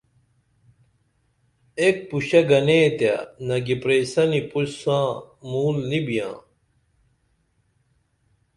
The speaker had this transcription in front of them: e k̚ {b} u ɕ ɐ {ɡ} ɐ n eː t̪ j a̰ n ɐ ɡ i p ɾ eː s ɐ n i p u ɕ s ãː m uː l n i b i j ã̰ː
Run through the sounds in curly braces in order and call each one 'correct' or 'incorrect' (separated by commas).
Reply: incorrect, correct